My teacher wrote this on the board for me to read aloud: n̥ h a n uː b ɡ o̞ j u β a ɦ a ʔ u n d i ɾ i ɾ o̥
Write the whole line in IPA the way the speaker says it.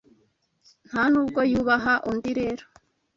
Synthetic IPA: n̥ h a n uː b ɡ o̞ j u β a ɦ a ʔ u n d i ɾ e ɾ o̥